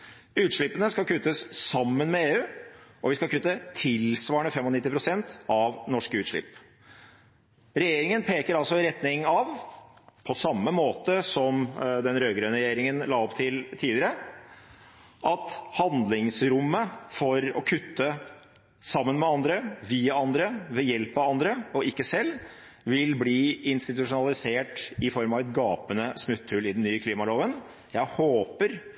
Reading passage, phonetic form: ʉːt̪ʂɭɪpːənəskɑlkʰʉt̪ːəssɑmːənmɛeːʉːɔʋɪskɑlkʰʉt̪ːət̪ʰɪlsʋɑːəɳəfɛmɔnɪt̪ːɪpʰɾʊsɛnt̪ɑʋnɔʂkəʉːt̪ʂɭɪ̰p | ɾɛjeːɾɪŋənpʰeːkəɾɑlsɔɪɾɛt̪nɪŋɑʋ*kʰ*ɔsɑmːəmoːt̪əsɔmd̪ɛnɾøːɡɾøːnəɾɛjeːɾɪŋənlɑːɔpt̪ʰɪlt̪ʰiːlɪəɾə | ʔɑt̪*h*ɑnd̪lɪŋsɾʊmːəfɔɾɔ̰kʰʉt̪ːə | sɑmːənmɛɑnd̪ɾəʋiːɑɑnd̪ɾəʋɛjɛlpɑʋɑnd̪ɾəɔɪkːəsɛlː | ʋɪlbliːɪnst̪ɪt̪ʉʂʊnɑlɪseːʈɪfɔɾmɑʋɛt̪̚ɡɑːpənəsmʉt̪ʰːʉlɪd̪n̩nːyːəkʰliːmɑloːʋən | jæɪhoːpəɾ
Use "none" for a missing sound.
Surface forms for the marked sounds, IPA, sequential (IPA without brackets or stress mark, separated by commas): pʰ, h